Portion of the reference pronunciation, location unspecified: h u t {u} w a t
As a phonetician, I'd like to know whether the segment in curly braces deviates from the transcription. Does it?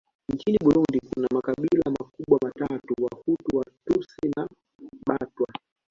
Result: no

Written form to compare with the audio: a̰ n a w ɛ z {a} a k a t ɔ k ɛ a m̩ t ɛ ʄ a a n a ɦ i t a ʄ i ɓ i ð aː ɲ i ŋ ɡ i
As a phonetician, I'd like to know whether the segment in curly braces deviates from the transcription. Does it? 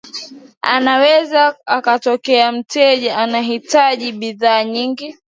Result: no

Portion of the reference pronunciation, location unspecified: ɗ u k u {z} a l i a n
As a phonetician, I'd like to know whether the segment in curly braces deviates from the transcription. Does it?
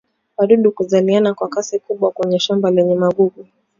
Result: no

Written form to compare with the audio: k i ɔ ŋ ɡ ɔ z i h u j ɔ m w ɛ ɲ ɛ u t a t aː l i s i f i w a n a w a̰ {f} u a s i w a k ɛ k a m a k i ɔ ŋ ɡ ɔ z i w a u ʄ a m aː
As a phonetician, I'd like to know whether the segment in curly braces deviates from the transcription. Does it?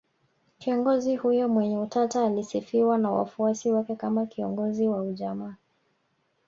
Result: no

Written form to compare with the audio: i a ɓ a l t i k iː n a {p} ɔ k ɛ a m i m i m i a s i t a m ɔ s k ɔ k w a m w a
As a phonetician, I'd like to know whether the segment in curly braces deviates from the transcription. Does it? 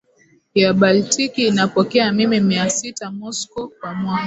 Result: no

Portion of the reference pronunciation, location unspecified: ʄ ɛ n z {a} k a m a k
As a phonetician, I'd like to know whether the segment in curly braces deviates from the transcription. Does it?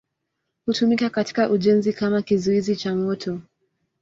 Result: yes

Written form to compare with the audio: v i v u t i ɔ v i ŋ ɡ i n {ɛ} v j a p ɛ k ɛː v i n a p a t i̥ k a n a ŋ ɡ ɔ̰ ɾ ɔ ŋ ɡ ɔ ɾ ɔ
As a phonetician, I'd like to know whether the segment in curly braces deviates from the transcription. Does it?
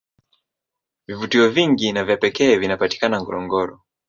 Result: yes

